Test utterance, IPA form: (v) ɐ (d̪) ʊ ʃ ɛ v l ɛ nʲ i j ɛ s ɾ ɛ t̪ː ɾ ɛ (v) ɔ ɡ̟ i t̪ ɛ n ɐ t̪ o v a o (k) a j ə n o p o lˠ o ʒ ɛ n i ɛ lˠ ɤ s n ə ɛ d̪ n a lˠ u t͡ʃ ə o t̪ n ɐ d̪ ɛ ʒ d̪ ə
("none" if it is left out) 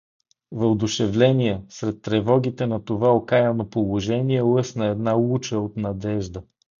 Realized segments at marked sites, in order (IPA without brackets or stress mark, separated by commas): v, d̪, v, k